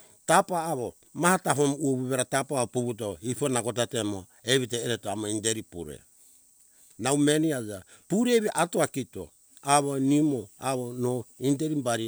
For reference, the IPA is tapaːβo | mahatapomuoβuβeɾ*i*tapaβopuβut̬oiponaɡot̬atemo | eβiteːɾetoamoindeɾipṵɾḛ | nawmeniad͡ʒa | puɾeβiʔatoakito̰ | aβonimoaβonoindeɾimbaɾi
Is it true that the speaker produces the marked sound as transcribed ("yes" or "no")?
no